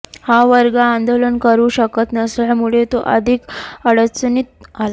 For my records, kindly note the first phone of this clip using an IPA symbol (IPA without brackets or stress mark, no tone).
h